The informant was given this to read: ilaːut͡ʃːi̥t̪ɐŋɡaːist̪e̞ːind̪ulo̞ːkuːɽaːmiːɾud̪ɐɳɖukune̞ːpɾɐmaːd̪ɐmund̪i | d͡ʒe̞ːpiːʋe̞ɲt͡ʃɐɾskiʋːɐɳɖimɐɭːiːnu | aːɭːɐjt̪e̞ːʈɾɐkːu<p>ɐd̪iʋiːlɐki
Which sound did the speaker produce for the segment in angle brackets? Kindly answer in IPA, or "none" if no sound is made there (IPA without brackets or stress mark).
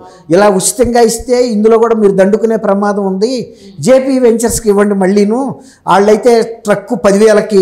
p